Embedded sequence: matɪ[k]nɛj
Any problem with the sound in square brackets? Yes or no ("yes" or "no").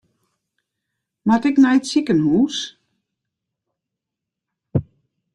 no